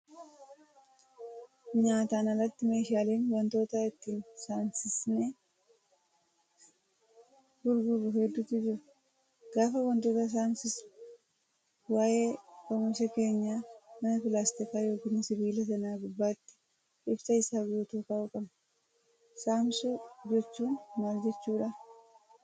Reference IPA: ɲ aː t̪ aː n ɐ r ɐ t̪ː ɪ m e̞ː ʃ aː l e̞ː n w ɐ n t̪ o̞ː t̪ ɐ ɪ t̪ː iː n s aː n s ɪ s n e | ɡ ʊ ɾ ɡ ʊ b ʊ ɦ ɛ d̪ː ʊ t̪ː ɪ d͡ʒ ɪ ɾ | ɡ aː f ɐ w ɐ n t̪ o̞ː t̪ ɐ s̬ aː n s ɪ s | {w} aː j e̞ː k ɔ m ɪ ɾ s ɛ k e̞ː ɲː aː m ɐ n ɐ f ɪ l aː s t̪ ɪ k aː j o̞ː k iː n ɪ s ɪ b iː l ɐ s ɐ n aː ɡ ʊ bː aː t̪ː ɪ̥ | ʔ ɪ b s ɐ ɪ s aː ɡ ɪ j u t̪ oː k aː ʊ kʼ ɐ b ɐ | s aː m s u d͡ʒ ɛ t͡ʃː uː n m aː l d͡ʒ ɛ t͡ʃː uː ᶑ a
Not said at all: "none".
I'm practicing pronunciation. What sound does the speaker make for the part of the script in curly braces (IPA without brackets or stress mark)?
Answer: w